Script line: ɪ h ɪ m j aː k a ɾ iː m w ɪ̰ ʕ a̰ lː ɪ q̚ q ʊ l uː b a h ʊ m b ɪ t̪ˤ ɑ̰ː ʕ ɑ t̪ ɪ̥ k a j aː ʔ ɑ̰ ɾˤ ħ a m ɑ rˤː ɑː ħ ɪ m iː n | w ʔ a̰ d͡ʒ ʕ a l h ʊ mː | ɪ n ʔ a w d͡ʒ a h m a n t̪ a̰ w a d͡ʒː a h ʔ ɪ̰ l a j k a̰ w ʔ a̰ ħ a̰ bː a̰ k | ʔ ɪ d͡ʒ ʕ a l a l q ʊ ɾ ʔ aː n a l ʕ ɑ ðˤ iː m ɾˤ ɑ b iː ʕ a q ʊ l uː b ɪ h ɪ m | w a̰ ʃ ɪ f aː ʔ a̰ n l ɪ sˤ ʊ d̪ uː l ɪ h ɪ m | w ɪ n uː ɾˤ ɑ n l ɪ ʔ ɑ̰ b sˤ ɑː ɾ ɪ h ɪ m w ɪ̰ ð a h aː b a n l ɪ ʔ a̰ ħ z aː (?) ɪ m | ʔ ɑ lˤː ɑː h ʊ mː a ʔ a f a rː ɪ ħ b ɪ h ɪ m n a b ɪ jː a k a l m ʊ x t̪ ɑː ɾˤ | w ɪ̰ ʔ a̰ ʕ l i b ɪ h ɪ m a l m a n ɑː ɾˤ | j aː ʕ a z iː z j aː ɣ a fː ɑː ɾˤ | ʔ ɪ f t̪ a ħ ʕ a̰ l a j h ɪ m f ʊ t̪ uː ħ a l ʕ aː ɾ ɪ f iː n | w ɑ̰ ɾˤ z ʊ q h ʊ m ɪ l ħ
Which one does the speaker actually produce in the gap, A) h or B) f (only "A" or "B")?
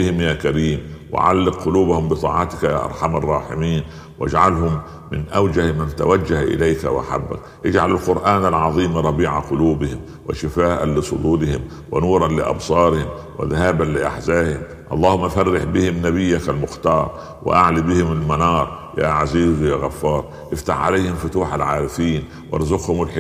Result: A